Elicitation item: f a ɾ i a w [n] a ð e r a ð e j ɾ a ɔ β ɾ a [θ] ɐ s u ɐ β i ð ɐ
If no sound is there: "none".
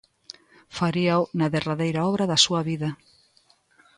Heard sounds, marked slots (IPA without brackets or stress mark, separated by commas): n, ð